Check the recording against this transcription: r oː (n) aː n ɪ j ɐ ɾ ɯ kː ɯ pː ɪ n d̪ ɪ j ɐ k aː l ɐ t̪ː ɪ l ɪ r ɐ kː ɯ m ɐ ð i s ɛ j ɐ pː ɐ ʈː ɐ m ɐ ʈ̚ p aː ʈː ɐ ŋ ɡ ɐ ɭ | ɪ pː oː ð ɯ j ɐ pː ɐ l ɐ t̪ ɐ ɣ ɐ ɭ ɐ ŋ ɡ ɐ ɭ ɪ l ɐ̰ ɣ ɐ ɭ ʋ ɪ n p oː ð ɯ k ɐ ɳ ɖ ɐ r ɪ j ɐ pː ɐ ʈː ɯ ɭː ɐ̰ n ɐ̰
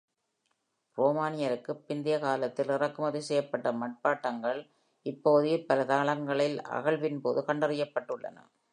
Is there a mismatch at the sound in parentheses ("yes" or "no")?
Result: yes